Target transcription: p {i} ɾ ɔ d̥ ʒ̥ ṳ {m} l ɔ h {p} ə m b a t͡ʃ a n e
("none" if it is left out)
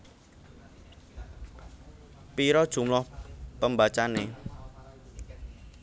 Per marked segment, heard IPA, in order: i, m, p

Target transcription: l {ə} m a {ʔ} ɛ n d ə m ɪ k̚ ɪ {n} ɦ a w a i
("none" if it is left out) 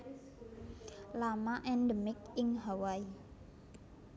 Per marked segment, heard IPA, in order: a, ʔ, ŋ

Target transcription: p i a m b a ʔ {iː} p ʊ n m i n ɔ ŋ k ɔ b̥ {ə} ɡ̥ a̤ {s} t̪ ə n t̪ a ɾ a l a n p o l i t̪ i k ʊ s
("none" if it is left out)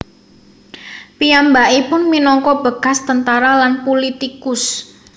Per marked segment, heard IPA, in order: i, ə, s

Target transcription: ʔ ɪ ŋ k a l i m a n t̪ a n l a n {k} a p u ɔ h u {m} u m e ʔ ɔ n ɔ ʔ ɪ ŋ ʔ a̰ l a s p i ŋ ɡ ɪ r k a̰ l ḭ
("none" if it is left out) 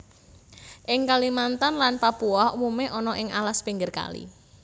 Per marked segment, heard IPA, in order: p, m

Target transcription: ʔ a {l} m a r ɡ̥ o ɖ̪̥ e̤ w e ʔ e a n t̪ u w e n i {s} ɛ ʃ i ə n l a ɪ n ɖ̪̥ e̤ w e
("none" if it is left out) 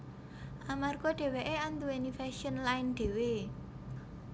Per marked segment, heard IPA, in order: none, f

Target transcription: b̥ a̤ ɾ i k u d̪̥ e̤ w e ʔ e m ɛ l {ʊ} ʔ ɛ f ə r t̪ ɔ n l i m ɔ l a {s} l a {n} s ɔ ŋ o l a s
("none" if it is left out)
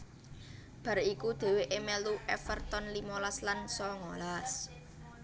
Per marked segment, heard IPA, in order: u, s, n

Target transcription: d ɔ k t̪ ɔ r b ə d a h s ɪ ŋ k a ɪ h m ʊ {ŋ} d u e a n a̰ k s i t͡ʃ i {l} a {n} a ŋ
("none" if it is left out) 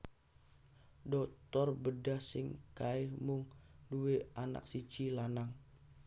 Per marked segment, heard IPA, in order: ŋ, l, n

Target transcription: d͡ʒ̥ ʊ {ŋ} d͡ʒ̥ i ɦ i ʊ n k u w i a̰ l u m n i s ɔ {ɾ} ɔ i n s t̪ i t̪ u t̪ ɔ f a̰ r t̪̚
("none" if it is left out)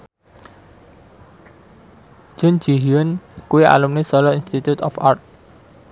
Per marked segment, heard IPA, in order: n, l

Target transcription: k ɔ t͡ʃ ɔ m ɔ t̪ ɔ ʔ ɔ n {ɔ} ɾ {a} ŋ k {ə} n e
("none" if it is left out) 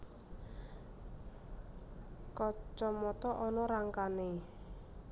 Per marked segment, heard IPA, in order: ɔ, a, a

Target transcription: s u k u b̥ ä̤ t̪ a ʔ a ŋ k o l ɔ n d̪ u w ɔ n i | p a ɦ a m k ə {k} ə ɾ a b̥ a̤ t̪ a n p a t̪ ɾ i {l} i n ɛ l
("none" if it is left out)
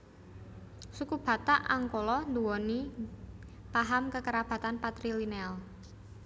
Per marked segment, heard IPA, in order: k, l

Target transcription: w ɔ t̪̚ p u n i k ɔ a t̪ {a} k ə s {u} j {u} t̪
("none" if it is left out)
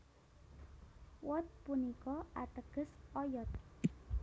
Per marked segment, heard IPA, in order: ə, ɔ, ɔ

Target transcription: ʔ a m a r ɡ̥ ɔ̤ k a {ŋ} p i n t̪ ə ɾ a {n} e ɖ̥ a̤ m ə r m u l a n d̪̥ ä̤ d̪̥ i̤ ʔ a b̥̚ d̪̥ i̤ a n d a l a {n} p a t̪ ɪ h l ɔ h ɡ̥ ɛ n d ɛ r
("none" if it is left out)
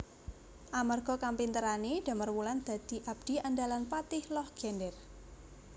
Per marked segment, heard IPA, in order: m, n, n

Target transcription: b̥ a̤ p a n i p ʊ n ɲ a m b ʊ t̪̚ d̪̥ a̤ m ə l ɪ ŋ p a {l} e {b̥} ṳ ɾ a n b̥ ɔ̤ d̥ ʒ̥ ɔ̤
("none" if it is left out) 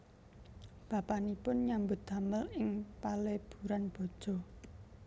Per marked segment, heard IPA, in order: l, b̥

